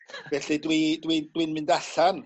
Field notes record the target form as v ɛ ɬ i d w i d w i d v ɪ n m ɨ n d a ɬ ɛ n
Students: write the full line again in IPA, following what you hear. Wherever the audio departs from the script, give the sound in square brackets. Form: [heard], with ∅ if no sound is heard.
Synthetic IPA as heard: v ɛ ɬ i d w i d w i d [w] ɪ n m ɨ n d a ɬ [a] n